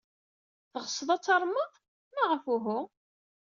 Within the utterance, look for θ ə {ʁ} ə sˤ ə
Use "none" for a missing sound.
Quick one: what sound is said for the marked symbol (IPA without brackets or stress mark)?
ʁ